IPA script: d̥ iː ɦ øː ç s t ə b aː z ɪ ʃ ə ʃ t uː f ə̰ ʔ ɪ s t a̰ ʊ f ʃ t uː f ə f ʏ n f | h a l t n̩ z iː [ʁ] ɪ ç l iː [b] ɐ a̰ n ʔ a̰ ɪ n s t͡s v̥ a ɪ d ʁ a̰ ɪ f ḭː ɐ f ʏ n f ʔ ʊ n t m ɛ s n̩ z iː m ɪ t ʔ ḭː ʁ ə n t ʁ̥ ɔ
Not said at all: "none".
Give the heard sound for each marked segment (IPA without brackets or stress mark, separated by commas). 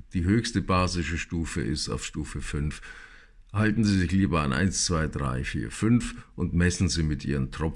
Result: z, b